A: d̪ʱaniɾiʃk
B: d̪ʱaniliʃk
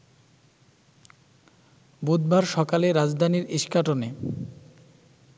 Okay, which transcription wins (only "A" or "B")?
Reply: A